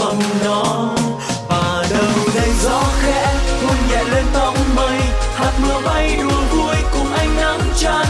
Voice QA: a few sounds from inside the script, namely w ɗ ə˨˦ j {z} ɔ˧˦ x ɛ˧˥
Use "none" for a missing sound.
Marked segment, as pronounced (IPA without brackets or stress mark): z